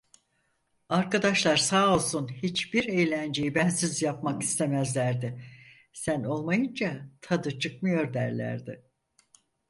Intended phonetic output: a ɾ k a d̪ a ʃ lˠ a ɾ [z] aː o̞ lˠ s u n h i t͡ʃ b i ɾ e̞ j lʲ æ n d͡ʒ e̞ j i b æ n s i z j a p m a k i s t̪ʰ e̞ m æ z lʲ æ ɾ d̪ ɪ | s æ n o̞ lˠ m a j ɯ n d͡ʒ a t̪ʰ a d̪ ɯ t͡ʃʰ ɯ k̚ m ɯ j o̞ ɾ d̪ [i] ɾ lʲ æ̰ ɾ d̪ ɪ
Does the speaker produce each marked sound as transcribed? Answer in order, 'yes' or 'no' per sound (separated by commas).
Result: no, no